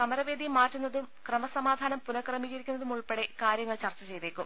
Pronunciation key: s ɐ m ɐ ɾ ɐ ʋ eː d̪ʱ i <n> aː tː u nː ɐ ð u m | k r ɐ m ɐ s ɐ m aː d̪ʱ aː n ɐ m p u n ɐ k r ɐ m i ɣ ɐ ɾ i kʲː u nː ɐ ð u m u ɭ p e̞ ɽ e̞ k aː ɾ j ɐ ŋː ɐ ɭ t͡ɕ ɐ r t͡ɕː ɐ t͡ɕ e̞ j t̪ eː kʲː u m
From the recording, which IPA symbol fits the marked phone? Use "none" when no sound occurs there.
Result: m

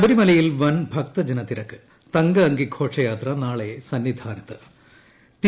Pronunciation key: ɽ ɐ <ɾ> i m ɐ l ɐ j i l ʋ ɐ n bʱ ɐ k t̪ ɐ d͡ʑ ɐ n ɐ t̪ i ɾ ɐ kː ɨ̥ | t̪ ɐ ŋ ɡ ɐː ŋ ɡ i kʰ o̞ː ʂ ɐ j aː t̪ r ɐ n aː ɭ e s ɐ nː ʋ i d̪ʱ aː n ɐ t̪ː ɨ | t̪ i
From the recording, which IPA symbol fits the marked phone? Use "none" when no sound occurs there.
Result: ɾ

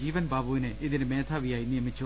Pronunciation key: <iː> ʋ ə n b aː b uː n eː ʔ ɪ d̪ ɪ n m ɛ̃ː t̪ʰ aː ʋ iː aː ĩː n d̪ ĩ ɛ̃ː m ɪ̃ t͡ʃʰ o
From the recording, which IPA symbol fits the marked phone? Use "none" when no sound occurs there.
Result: iː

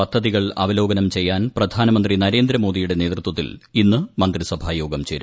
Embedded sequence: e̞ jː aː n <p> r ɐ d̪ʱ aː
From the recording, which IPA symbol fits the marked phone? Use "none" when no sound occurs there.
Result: p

